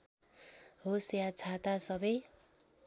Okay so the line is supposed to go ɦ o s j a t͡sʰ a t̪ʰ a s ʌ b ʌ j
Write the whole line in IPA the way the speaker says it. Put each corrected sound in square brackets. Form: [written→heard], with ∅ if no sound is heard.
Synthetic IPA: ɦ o s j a t͡sʰ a [t̪ʰ→t̪] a s ʌ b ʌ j